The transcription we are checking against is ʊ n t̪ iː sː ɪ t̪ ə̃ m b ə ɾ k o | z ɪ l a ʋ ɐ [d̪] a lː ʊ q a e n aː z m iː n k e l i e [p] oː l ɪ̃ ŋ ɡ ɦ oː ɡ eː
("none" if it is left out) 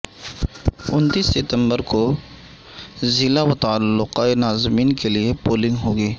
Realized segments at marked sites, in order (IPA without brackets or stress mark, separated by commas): t̪, p